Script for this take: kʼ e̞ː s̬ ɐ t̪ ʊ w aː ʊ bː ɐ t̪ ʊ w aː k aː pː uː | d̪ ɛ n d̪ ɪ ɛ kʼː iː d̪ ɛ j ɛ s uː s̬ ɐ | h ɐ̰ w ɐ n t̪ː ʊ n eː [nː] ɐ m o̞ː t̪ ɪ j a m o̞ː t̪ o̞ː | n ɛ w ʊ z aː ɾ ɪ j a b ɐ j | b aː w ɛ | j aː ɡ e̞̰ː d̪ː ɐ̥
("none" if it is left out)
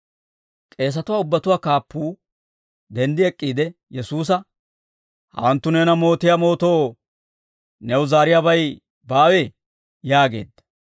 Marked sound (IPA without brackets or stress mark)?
n